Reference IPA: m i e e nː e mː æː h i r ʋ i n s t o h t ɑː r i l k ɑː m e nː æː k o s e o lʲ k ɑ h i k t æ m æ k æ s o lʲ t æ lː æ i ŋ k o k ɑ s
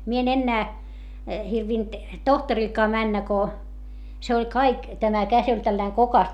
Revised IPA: m i e e n e nː æː h i r ʋ i n t t o h t ɑ r i l k ɑː m æ nː æ k o s e o lʲ k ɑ i k t æ m æ k æ s o lʲ t æ lː æ i ŋ k o k ɑ s